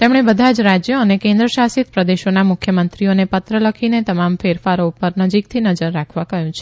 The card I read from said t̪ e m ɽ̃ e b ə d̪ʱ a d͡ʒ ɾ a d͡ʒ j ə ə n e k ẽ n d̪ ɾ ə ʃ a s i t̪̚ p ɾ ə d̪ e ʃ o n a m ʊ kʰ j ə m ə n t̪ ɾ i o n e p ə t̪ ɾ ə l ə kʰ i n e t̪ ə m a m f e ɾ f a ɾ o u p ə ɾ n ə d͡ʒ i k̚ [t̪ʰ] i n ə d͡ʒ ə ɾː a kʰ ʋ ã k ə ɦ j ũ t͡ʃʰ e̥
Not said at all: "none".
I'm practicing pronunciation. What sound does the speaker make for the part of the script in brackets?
t̪ʰ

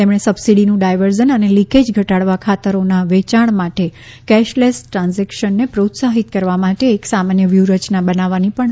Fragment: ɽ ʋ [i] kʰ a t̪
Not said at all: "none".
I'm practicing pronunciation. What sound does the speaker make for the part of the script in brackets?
a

